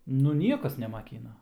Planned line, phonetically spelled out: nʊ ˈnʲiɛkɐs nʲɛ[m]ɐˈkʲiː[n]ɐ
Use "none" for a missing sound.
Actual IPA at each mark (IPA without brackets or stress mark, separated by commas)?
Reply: m, n